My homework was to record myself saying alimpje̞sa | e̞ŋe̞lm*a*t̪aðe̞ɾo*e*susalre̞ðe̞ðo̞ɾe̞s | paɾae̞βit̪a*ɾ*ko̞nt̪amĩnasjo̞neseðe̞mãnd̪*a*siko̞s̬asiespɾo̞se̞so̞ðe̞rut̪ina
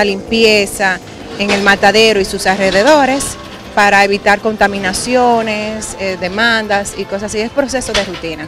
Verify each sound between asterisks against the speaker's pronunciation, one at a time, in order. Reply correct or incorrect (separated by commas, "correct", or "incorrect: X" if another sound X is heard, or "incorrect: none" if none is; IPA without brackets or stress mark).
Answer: correct, incorrect: i, correct, correct